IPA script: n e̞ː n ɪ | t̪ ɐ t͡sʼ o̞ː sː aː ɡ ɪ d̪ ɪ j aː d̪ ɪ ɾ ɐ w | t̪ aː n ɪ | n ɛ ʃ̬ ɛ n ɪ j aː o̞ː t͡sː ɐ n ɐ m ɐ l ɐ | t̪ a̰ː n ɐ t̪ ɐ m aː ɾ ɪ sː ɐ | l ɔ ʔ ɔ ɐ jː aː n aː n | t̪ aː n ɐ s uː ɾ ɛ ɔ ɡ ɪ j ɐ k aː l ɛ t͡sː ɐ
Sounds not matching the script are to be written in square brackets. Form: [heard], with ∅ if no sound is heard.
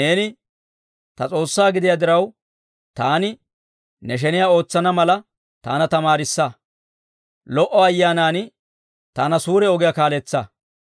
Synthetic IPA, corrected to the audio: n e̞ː n ɪ | t̪ ɐ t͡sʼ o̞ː sː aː ɡ ɪ d̪ ɪ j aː d̪ ɪ ɾ ɐ w | t̪ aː n ɪ | n ɛ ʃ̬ ɛ n ɪ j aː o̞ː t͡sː ɐ n ɐ m ɐ l ɐ | t̪ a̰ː n ɐ t̪ ɐ m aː ɾ ɪ sː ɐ | l ɔ ʔ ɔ ɐ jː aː n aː n | t̪ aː n ɐ s uː ɾ ɛ ɔ ɡ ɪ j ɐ k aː l ɛ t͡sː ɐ